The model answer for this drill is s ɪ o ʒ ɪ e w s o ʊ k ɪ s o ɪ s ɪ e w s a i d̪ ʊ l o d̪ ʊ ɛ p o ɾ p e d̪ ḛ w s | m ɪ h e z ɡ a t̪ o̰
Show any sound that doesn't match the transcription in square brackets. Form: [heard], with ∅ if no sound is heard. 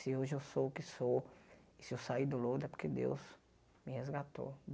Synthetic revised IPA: s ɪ o ʒ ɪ e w s o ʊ k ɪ s o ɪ s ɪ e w s a i d̪ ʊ l o d̪ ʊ ɛ p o ɾ [k] e d̪ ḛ w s | m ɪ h e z ɡ a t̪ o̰

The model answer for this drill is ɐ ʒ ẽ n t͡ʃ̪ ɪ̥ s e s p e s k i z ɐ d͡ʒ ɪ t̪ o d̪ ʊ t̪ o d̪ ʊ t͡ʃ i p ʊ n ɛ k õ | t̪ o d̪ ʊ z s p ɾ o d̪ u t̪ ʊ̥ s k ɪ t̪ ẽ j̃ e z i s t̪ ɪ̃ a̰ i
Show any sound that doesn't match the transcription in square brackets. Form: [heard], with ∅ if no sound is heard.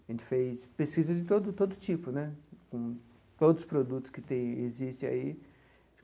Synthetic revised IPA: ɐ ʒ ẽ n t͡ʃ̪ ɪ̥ [f] e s p e s k i z ɐ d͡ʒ ɪ t̪ o d̪ ʊ t̪ o d̪ ʊ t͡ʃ i p ʊ n ɛ k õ | t̪ o d̪ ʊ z s p ɾ o d̪ u t̪ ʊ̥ s k ɪ t̪ ẽ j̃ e z i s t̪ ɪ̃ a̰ i

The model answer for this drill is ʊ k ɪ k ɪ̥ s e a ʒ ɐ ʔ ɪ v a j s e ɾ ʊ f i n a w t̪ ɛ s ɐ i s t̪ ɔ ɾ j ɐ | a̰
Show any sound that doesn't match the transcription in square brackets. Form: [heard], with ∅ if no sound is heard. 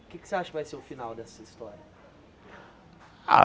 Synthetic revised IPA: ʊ k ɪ k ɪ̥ s e a [ʃ] ɐ [k] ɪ v a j s e ɾ ʊ f i n a w [d̪] ɛ s ɐ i s t̪ ɔ ɾ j ɐ | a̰

